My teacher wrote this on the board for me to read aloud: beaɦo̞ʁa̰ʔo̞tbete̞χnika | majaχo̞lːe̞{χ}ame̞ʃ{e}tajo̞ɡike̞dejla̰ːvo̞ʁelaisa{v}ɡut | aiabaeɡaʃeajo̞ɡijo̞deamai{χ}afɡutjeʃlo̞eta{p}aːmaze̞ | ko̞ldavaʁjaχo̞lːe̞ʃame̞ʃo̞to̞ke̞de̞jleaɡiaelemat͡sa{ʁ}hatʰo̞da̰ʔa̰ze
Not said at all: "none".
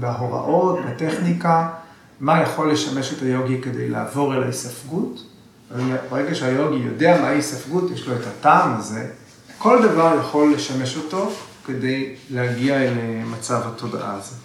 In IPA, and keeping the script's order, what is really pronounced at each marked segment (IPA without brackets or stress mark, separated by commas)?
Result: ʃ, e, f, s, t, v